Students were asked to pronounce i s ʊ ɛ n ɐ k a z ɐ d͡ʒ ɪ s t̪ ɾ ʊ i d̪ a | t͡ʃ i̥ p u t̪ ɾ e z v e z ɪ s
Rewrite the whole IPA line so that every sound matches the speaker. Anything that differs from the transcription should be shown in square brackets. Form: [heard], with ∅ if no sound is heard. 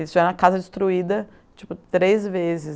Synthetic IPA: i s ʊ ɛ n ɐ k a z ɐ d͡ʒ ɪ s t̪ ɾ [u] i d̪ [ɐ] | t͡ʃ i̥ p [ʊ] t̪ ɾ e z v e z ɪ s

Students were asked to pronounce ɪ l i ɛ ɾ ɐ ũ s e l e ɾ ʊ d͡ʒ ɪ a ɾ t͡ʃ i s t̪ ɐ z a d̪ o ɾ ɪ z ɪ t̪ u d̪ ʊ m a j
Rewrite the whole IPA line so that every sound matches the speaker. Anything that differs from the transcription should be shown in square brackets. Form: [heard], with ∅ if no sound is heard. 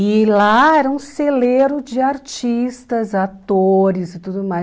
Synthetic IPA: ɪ l [a] ɛ ɾ ɐ ũ s e l e ɾ ʊ d͡ʒ ɪ a ɾ t͡ʃ i s t̪ ɐ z a [t̪] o ɾ ɪ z ɪ t̪ u d̪ ʊ m a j

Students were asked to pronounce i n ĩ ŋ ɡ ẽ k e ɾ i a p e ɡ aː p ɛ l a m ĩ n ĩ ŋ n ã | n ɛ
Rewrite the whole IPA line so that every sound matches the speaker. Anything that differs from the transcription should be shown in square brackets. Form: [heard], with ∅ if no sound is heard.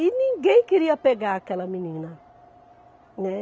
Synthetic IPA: i n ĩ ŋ ɡ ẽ k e ɾ i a p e ɡ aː [k] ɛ l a m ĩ n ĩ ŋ n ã | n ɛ

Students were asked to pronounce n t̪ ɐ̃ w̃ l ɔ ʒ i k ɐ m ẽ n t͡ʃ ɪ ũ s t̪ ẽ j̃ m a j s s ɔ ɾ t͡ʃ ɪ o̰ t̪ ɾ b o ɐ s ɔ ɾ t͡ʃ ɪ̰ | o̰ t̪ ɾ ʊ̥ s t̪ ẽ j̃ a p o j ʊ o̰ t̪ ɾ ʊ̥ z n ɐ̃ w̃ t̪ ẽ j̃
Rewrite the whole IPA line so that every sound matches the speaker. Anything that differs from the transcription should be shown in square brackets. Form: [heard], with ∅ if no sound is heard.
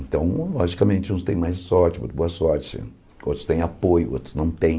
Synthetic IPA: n t̪ ɐ̃ w̃ l ɔ ʒ i k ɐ m ẽ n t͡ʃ ɪ ũ s t̪ ẽ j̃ m a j s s ɔ ɾ t͡ʃ ɪ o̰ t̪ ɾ b o ɐ s ɔ ɾ t͡ʃ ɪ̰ | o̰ t̪ ɾ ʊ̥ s t̪ ẽ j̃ a p o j ʊ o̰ t̪ ɾ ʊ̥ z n ɐ̃ w̃ t̪ ẽ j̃

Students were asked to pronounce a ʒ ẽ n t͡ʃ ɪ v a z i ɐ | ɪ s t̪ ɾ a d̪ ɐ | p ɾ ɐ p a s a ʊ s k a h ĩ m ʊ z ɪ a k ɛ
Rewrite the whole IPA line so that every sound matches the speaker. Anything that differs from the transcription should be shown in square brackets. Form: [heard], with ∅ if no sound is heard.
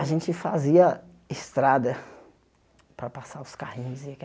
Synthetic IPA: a ʒ ẽ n t͡ʃ ɪ [f] a z i ɐ | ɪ s t̪ ɾ a d̪ ɐ | p ɾ ɐ p a s a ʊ s k a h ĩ [ɲ] ʊ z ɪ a k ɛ

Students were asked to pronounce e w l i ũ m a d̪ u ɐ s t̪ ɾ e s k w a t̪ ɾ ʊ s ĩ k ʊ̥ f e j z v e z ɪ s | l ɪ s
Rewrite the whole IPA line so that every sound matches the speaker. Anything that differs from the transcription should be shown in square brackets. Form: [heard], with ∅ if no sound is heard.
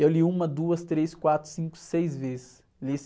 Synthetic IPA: e w l i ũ m [ɐ] d̪ u ɐ s t̪ ɾ e s k w a t̪ ɾ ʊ s ĩ k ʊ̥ [s] e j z v e z ɪ s | l [i] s

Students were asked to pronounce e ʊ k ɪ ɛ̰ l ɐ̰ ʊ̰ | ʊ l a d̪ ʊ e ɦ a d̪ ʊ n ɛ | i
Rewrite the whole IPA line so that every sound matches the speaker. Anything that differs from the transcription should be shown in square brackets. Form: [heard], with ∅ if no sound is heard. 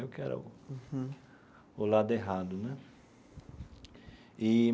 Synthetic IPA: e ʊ k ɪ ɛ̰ [ɾ] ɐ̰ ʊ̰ | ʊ l a d̪ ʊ e ɦ a d̪ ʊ n ɛ | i

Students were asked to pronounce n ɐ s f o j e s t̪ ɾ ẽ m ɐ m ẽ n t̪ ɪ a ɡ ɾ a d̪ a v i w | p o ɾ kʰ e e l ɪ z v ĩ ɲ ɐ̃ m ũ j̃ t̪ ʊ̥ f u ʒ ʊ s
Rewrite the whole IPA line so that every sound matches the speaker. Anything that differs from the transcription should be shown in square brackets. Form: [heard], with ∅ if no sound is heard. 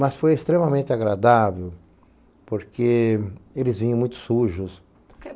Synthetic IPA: [m] ɐ s f o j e s t̪ ɾ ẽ m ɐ m ẽ n t̪ ɪ a ɡ ɾ a d̪ a v [e] w | p o ɾ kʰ e e l ɪ z v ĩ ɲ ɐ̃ m ũ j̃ t̪ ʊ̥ [s] u ʒ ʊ s

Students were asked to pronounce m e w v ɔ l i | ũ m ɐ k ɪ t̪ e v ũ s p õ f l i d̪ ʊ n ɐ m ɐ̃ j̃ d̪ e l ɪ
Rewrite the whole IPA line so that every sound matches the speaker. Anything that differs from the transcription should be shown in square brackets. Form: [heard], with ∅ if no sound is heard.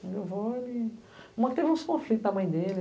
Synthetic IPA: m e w v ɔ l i | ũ m ɐ k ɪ t̪ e v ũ s [k] õ f l i [t̪] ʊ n ɐ m ɐ̃ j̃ d̪ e l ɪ

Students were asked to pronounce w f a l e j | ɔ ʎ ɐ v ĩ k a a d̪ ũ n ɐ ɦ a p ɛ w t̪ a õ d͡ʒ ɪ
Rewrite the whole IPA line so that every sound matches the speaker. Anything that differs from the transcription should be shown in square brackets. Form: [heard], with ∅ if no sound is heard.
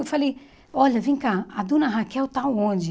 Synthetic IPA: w f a l e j | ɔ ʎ ɐ v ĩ k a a d̪ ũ n ɐ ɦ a [k] ɛ w t̪ a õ d͡ʒ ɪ

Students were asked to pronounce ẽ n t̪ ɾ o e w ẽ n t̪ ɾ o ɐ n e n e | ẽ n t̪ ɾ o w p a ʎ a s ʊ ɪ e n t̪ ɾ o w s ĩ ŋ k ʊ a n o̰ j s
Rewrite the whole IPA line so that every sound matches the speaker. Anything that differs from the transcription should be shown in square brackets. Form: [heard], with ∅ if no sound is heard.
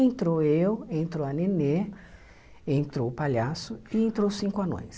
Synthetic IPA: ẽ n t̪ ɾ o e w ẽ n t̪ ɾ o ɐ n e n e | ẽ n t̪ ɾ o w p a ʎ a s ʊ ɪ [ẽ] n t̪ ɾ o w s ĩ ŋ k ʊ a n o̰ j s

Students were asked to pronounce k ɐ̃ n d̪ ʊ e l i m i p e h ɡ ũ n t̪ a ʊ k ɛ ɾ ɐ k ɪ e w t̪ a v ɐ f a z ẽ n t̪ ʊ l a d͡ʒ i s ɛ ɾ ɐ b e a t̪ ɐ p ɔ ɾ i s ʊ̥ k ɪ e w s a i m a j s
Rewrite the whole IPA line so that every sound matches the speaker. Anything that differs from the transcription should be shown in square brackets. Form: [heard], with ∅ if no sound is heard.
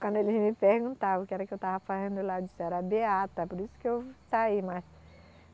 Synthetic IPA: k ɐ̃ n d̪ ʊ e l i m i p e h ɡ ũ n t̪ a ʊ k ɛ ɾ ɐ k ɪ e w t̪ a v ɐ f a z ẽ n [d̪] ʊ l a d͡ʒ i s ɛ ɾ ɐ b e a t̪ ɐ p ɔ ɾ i s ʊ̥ k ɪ e w s a i m a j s

